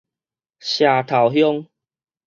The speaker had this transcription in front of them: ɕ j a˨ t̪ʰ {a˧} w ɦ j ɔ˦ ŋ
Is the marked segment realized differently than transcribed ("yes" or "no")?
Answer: yes